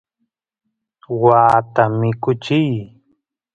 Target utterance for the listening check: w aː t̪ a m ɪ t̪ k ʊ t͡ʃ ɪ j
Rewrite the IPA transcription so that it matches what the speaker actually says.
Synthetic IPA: w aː t̪ a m ɪ k ʊ t͡ʃ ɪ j